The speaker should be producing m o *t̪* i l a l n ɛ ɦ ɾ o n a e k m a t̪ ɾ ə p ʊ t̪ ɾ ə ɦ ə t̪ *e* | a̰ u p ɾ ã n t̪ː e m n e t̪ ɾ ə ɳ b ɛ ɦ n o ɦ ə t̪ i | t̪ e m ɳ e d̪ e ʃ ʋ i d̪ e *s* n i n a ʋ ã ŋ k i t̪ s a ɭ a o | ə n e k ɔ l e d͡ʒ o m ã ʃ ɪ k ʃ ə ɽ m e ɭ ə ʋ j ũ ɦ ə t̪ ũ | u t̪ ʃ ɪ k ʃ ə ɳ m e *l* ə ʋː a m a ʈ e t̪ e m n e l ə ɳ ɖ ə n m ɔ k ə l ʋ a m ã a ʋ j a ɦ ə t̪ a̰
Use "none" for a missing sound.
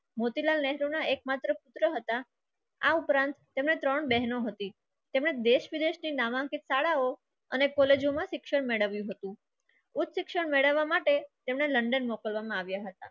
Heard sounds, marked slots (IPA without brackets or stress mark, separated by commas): t̪, a, ʃ, ɭ